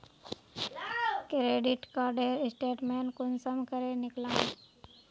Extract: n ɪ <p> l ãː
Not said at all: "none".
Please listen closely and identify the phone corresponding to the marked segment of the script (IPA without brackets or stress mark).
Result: k